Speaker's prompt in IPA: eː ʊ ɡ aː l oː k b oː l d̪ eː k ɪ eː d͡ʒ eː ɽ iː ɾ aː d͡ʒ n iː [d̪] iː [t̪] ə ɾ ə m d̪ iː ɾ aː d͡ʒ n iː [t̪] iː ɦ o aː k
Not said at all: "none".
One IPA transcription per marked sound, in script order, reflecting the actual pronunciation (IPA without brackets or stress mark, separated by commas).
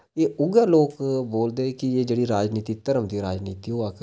t̪, t̪, t̪